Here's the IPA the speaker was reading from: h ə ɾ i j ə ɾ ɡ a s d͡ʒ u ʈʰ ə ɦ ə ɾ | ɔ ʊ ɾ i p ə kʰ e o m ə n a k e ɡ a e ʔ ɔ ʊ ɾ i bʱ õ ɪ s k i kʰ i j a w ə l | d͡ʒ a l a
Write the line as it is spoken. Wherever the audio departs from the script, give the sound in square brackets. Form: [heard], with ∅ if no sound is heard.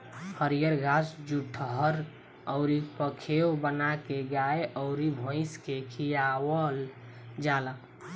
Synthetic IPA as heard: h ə ɾ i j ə ɾ ɡ a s d͡ʒ u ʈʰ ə ɦ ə ɾ | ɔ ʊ ɾ i p ə kʰ e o [b] ə n a k e ɡ a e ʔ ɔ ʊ ɾ i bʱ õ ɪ s k [e] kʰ i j a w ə l | d͡ʒ a l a